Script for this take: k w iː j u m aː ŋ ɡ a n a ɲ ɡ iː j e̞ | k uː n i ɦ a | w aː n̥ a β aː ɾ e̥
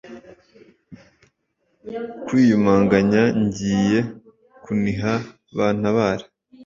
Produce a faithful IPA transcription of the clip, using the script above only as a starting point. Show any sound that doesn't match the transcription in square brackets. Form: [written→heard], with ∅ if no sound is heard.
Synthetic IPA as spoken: k w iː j u m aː ŋ ɡ a [n→ɲ] a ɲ [ɡ→ɟ] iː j e̞ | k [uː→u] n i ɦ a | [w→β] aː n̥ a β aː ɾ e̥